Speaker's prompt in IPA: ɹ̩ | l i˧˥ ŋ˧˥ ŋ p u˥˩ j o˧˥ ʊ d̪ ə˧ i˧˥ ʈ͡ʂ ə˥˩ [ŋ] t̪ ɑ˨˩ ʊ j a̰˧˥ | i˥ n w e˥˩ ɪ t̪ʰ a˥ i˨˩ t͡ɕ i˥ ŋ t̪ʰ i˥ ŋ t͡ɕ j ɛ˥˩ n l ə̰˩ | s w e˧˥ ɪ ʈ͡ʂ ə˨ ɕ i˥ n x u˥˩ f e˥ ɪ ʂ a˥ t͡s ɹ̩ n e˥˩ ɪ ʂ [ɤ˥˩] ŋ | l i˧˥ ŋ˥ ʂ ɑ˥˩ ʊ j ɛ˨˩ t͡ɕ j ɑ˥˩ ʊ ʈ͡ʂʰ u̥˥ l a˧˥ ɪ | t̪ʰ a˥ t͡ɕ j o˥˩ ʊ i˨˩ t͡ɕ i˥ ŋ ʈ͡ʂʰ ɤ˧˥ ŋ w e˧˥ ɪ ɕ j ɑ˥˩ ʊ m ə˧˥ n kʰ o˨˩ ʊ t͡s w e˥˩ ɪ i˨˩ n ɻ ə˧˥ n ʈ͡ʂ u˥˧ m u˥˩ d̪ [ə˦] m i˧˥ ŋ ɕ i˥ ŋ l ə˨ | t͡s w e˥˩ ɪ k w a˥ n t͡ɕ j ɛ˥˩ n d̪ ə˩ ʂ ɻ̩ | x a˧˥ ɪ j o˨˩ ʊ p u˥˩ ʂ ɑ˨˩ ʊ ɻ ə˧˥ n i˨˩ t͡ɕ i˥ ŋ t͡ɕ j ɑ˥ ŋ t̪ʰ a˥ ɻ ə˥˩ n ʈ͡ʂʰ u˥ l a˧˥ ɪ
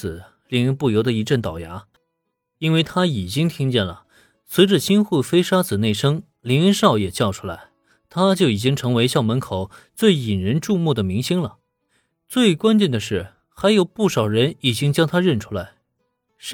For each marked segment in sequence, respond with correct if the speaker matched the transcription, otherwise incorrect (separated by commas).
incorrect, incorrect, incorrect